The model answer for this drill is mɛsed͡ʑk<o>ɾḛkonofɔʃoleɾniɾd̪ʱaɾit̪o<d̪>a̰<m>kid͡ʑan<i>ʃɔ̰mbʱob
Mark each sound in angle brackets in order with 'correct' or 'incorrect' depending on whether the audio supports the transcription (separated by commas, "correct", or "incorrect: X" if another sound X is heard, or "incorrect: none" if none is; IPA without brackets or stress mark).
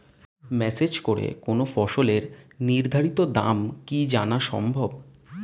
correct, correct, correct, incorrect: a